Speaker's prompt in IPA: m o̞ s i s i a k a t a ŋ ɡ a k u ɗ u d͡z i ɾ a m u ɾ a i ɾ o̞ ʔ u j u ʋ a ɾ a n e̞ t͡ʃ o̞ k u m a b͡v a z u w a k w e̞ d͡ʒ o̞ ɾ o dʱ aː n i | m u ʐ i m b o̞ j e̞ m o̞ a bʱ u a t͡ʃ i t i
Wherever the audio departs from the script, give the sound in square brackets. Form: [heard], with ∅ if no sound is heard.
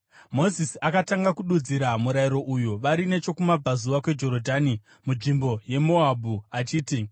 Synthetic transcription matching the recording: m o̞ [z] i s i a k a t a ŋ ɡ a k u ɗ u d͡z i ɾ a m u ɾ a i ɾ o̞ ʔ u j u ʋ a ɾ [i] n e̞ t͡ʃ o̞ k u m a b͡v a z u [ʋ] a k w e̞ d͡ʒ o̞ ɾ o dʱ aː n i | m u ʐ i m b o̞ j e̞ m o̞ a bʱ u a t͡ʃ [iː] t i